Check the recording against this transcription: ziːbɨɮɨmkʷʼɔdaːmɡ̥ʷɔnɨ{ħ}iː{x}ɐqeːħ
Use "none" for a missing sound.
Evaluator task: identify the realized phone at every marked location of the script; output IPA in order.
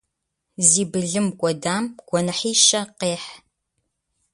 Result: ħ, ʃ

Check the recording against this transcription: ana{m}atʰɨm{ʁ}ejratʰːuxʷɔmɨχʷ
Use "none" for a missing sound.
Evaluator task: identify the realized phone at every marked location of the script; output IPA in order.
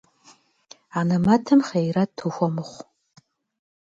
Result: m, χ

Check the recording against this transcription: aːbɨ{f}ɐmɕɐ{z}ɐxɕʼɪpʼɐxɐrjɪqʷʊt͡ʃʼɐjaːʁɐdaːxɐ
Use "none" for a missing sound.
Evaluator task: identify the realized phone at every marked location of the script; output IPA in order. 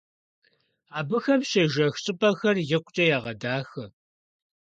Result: x, ʒ

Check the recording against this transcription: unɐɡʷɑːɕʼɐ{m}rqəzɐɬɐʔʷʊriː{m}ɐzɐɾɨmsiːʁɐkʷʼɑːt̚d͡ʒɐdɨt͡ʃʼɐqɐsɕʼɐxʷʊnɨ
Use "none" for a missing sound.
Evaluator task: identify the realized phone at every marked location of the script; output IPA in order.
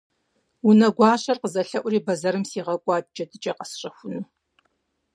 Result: none, b

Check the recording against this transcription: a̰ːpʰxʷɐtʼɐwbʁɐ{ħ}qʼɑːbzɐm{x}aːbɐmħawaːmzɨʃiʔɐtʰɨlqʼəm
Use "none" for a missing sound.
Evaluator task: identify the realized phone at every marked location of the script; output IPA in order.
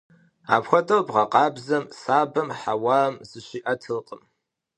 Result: none, s

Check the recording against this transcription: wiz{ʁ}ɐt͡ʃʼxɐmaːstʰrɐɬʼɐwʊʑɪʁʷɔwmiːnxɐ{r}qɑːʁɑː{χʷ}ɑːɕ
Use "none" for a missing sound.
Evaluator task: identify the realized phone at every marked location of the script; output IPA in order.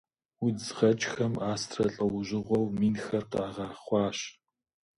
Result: ʁ, r, χʷ

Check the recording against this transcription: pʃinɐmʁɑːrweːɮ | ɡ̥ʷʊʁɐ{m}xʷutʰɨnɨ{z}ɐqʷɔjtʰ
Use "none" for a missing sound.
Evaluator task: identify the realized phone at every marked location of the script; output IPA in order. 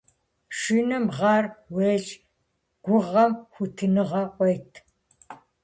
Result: m, ʁ

